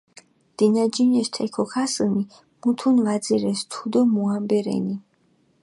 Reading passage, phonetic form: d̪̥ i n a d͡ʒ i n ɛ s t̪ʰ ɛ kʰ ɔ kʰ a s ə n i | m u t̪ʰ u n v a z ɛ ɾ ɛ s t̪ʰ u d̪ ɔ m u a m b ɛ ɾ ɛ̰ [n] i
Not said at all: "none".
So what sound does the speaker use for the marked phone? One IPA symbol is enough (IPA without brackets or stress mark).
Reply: n